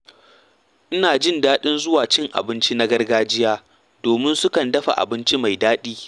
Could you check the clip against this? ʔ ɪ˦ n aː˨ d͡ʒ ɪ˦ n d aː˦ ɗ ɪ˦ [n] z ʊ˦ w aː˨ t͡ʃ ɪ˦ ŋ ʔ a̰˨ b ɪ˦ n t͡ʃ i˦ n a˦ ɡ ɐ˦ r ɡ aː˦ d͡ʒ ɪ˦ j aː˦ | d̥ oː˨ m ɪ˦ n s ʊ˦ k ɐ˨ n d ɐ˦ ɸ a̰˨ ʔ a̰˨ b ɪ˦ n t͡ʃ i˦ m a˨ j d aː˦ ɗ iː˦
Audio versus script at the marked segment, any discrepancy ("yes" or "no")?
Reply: no